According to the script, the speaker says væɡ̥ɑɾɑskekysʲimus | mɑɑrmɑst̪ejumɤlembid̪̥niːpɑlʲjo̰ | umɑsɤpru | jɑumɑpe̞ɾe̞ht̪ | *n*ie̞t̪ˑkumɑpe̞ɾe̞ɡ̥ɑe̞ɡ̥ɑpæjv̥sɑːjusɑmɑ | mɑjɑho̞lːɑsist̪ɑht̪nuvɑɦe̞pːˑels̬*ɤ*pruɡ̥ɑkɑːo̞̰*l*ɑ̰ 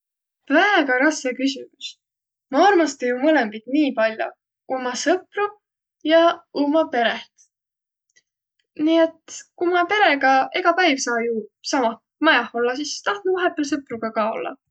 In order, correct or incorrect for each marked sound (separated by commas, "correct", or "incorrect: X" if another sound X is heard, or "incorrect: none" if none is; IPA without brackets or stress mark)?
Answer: correct, correct, incorrect: lː